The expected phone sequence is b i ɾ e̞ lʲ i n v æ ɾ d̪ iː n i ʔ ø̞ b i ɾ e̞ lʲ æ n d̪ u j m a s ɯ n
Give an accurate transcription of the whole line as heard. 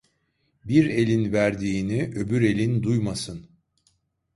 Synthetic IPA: b i ɾ e̞ lʲ i n v æ ɾ d̪ iː n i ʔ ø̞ b y ɾ e̞ lʲ i n d̪ u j m a s ɯ n